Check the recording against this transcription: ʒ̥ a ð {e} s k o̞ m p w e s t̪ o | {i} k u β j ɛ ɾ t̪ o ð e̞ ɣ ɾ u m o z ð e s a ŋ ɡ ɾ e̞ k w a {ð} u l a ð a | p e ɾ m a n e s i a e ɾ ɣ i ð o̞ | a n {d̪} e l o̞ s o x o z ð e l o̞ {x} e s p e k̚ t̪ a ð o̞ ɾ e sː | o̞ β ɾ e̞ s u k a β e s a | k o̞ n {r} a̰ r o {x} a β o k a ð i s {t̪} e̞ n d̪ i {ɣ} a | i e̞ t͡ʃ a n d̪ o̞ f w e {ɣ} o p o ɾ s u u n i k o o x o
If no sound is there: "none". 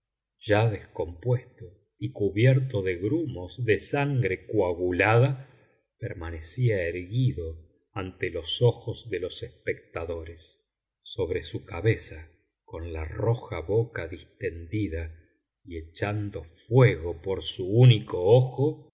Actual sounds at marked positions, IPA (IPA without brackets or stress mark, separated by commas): e, i, ɣ, t̪, s, l, x, t̪, ð, ɣ